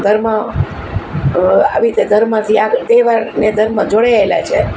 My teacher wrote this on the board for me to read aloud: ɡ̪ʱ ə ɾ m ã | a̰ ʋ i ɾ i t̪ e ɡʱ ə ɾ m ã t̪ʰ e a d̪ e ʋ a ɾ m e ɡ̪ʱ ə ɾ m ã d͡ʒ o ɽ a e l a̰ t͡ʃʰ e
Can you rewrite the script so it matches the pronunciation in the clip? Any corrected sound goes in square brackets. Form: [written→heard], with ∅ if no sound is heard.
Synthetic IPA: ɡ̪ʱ ə ɾ m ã | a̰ ʋ i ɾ i t̪ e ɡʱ ə ɾ m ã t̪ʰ [e→i] a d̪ e ʋ a ɾ [m→n] e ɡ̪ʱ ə ɾ m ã d͡ʒ o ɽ a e l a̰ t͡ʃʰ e